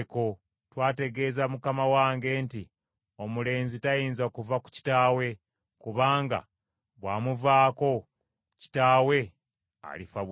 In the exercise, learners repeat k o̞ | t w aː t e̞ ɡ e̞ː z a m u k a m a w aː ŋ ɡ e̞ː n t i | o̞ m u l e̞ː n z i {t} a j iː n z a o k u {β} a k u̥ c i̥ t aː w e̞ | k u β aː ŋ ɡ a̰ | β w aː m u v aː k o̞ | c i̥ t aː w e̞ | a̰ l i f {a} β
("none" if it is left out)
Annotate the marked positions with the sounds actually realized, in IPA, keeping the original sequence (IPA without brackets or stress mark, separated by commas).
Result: t, v, a